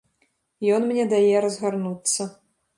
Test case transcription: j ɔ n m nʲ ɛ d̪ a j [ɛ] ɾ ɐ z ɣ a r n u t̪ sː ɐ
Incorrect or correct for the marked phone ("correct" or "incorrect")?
correct